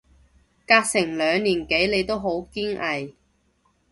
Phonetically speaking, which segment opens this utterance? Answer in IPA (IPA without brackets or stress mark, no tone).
k